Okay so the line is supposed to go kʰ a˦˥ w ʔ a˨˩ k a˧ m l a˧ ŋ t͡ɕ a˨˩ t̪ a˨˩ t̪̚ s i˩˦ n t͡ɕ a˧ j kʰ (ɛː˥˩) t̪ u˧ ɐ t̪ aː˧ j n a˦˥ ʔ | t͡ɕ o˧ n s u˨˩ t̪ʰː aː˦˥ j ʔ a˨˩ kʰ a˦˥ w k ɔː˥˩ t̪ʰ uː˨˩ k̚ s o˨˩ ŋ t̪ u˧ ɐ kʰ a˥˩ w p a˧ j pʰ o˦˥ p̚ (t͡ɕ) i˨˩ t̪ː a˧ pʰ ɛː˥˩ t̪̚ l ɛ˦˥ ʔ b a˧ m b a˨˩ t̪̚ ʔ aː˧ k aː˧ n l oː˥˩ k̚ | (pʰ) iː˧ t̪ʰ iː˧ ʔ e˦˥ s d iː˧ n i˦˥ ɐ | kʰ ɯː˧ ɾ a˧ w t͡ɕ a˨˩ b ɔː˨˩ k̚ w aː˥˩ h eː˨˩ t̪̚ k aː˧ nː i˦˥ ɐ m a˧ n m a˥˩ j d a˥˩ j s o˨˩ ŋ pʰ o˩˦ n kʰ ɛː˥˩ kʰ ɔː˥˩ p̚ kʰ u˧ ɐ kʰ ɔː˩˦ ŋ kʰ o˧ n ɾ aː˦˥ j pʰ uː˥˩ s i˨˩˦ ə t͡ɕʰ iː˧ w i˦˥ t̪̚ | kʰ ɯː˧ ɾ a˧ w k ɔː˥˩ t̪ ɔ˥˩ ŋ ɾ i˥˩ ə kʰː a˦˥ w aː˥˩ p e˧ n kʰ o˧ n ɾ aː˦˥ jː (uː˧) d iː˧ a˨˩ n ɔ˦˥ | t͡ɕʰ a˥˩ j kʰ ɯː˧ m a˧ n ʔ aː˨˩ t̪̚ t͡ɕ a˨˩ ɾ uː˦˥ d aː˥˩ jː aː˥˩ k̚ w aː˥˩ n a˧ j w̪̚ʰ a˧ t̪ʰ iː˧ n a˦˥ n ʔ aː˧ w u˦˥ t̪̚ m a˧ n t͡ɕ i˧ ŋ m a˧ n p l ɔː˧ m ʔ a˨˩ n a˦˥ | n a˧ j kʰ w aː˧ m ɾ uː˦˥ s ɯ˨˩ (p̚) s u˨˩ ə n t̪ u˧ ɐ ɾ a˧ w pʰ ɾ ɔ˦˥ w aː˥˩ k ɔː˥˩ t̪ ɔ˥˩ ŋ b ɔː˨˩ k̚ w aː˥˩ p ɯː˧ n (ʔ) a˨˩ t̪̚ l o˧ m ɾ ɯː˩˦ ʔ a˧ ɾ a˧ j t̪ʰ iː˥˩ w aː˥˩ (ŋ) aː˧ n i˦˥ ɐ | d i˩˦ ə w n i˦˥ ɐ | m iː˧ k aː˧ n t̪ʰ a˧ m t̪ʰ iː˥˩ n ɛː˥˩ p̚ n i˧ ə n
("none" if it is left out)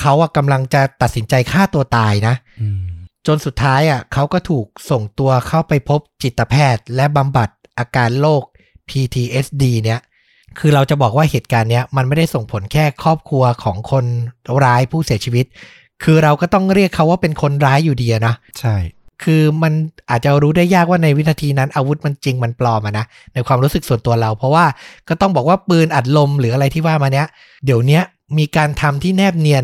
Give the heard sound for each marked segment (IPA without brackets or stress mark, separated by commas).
aː˥˩, t͡ɕ, pʰ, uː˨˩, k̚, ʔ, m